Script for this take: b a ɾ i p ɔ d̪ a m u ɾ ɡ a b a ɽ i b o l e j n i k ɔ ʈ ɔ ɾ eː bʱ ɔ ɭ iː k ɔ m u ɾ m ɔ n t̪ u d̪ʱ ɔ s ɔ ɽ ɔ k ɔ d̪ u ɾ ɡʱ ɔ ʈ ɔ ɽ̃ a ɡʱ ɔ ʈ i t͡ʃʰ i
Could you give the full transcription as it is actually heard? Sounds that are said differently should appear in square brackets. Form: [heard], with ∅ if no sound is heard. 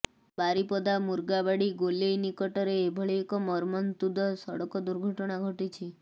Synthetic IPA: b a ɾ i p ɔ d̪ a m u ɾ ɡ a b a ɽ i [ɡ] o l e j n i k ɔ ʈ ɔ ɾ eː bʱ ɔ ɭ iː k ɔ m [ɔ] ɾ m ɔ n t̪ u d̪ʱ ɔ s ɔ ɽ ɔ k ɔ d̪ u ɾ ɡʱ ɔ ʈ ɔ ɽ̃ a ɡʱ ɔ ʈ i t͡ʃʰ i